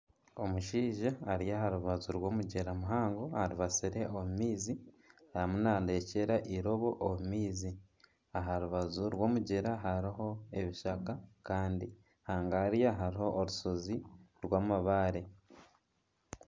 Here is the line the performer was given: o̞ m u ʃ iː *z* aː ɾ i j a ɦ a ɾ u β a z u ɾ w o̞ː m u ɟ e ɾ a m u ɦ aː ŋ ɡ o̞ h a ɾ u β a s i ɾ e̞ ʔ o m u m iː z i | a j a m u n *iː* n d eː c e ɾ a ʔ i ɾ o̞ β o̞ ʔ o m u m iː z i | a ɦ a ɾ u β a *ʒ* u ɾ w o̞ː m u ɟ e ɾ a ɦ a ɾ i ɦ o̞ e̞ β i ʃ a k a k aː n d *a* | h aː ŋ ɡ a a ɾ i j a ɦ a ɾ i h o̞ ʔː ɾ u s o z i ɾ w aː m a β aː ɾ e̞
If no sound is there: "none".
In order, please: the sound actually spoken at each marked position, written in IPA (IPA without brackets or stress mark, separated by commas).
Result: ʒ, aː, z, i